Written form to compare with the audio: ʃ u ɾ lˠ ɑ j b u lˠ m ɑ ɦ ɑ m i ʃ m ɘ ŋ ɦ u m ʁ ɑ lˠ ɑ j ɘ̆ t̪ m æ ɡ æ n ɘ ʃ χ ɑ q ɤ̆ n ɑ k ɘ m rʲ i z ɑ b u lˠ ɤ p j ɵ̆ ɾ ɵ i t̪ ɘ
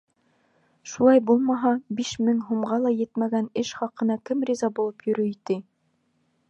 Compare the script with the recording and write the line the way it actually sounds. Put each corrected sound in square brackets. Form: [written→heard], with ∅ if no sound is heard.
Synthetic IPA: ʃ u [ɾ→∅] lˠ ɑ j b u lˠ m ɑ ɦ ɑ [m→b] i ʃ m ɘ ŋ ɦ u m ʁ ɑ lˠ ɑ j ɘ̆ t̪ m æ ɡ æ n ɘ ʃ χ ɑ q ɤ̆ n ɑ k ɘ m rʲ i z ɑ b u lˠ ɤ p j ɵ̆ ɾ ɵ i t̪ ɘ

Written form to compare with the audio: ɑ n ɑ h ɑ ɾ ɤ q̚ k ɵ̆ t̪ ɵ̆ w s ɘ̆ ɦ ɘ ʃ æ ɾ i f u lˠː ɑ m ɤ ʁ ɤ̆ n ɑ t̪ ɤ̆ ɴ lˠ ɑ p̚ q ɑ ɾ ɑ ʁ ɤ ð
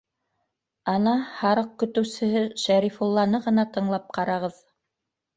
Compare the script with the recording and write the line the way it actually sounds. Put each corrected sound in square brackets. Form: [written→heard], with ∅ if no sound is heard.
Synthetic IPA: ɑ n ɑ h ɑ ɾ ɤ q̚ k ɵ̆ t̪ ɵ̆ w s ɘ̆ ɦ ɘ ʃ æ ɾ i f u lˠː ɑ [m→n] ɤ ʁ ɤ̆ n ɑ t̪ ɤ̆ ɴ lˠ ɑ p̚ q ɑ ɾ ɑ ʁ ɤ ð

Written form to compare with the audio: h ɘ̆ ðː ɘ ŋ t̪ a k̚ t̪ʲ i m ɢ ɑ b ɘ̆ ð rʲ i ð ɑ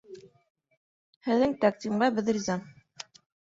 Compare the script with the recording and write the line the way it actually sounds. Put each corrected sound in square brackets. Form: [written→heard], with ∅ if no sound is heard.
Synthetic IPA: h ɘ̆ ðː ɘ ŋ t̪ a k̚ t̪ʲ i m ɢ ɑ b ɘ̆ ð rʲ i [ð→z] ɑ

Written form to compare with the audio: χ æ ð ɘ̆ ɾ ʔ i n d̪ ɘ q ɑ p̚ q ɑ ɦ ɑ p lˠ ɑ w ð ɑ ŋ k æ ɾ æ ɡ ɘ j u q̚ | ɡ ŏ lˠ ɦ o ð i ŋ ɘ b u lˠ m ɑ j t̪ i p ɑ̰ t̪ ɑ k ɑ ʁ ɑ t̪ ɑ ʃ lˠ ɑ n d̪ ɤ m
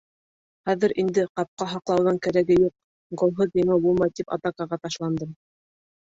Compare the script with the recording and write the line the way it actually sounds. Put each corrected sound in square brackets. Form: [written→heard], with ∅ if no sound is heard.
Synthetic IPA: χ æ ð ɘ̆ ɾ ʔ i n d̪ ɘ q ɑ p̚ q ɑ ɦ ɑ [p→q] lˠ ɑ w ð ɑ ŋ k æ ɾ æ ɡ ɘ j u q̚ | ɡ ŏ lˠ ɦ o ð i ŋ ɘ b u lˠ m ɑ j t̪ i p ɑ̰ t̪ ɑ k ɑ ʁ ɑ t̪ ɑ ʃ lˠ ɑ n d̪ ɤ m

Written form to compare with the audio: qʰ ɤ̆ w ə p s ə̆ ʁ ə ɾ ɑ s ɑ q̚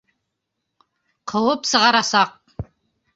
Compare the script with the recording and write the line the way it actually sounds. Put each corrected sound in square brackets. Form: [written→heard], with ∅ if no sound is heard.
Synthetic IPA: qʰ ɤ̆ w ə p s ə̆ ʁ [ə→ɑ] ɾ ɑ s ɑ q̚

